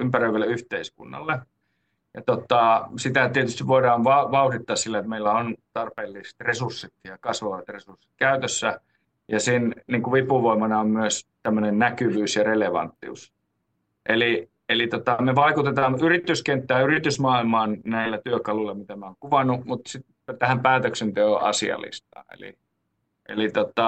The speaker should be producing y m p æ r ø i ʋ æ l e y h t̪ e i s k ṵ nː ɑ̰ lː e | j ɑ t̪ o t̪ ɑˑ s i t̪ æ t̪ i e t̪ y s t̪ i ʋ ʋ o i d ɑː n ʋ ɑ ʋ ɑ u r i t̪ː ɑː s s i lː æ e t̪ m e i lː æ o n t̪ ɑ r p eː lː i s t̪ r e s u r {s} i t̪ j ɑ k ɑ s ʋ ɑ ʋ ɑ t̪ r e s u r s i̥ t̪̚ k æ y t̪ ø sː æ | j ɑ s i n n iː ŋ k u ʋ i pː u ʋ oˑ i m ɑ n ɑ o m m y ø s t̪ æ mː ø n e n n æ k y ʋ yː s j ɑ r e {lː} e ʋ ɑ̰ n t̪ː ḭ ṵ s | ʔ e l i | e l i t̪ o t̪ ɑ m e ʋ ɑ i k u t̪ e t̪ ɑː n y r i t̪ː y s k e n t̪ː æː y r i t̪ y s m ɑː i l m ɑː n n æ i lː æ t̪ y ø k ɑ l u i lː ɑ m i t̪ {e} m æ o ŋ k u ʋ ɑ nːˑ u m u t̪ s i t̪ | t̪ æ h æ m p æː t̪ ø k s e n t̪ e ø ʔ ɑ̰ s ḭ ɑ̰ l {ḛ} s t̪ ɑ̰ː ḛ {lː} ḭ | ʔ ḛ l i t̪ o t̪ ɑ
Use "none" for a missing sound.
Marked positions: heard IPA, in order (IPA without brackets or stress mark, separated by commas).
sː, l, æ, ḭ, l